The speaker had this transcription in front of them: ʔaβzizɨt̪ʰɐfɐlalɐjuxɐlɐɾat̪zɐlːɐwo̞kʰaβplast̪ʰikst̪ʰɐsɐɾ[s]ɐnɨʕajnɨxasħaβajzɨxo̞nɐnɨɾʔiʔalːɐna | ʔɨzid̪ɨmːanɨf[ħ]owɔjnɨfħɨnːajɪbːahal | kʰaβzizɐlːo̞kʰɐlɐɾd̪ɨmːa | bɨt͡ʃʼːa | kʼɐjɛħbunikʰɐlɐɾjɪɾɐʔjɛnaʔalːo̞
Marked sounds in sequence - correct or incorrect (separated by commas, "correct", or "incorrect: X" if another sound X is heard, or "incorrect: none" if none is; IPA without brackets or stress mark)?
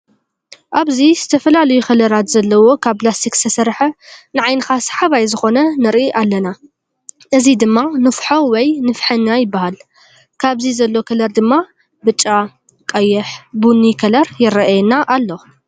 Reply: incorrect: ħ, correct